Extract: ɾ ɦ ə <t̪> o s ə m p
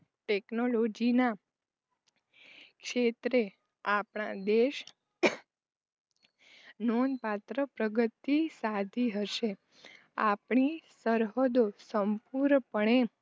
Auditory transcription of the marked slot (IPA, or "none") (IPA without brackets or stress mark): d̪